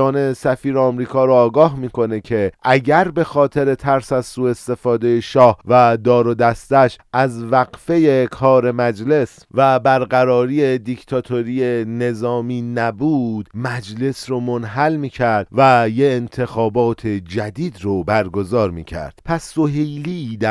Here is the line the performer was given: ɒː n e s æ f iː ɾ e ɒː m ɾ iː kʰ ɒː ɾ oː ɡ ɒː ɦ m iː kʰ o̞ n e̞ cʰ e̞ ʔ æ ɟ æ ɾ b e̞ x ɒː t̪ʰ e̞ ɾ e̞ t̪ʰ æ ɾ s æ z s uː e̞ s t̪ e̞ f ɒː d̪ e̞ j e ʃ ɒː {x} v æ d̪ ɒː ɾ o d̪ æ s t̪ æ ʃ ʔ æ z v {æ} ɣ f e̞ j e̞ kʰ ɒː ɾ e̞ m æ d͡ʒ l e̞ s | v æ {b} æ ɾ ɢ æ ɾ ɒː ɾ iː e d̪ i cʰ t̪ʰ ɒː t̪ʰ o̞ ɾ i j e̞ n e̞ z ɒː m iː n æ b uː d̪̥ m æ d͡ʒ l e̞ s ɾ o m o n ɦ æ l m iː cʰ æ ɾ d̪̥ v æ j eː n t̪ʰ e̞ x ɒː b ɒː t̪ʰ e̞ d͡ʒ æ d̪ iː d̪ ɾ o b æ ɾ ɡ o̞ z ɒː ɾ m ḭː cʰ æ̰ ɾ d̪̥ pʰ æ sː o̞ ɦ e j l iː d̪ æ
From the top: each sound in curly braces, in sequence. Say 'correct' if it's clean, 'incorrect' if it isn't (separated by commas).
incorrect, correct, correct